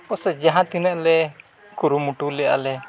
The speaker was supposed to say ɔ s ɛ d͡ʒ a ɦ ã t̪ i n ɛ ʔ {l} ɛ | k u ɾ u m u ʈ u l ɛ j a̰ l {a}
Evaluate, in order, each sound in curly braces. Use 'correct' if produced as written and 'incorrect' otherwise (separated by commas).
correct, incorrect